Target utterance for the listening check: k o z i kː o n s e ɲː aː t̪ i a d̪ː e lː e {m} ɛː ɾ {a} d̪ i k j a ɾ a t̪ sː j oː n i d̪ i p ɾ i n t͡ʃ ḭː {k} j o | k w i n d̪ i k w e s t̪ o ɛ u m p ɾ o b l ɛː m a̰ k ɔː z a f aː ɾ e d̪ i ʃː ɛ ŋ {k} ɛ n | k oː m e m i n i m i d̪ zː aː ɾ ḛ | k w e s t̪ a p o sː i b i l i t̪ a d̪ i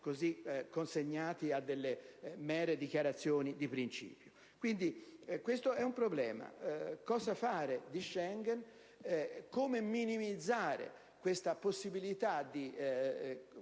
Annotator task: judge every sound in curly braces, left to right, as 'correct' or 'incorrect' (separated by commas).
correct, incorrect, incorrect, incorrect